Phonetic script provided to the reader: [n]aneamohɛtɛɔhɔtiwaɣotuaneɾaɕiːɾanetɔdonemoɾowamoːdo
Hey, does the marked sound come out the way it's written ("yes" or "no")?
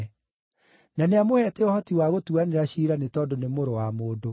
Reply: yes